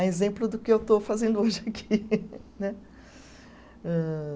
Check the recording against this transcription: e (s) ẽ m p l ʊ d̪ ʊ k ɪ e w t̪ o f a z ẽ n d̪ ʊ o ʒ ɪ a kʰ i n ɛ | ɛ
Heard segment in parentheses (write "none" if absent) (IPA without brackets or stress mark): z